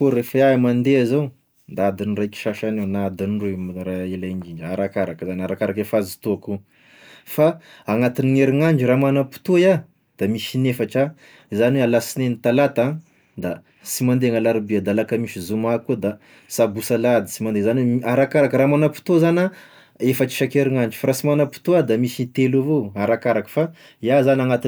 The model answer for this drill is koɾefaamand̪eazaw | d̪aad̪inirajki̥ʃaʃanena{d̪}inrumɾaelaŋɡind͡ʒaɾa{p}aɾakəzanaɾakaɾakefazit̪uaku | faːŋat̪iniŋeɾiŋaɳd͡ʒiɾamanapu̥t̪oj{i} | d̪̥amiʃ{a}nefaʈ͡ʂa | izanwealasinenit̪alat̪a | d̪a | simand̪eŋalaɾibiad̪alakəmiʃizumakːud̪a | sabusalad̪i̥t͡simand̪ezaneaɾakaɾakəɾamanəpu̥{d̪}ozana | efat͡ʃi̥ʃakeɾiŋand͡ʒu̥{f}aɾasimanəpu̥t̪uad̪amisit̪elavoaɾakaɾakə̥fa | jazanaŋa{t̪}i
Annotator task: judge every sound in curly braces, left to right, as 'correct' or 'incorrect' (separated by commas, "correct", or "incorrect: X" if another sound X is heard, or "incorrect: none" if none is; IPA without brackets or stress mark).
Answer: correct, incorrect: k, incorrect: a, incorrect: i, incorrect: t̪, correct, correct